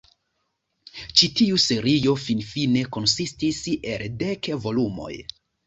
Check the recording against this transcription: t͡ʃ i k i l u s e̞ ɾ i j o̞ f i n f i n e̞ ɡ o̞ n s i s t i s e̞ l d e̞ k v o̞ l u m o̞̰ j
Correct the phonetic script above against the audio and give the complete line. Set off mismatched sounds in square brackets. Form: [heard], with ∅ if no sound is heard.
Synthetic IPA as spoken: t͡ʃ i [t] i [∅] u s e̞ ɾ i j o̞ f i n f i n e̞ [k] o̞ n s i s t i s e̞ l d e̞ k v o̞ l u m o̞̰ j